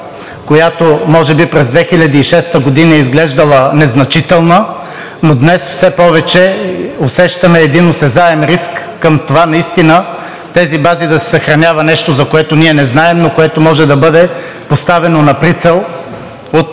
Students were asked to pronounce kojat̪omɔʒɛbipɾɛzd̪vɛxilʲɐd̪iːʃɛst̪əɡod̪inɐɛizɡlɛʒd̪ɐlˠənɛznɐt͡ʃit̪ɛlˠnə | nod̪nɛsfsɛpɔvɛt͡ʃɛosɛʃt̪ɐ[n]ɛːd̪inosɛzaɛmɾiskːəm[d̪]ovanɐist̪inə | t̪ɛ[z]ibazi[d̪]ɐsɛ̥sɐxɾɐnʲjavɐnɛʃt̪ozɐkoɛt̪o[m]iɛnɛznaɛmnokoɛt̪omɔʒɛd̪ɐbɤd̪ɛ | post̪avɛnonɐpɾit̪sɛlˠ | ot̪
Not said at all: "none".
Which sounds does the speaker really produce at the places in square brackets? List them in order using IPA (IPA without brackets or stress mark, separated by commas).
m, t̪, z, d̪, n